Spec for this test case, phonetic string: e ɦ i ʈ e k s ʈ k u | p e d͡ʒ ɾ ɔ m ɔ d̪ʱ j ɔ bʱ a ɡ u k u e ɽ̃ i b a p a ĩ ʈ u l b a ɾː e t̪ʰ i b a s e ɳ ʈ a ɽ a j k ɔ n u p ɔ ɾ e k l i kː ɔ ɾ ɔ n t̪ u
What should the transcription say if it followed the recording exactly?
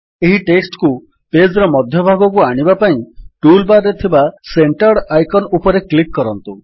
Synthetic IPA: e ɦ i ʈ e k s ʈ k u | p e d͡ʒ ɾ ɔ m ɔ d̪ʱ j ɔ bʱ a ɡ ɔ k u a ɽ̃ i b a p a ĩ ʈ u l b a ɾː e t̪ʰ i b a s e ɳ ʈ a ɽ a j k ɔ n u p ɔ ɾ e k l i kː ɔ ɾ ɔ n t̪ u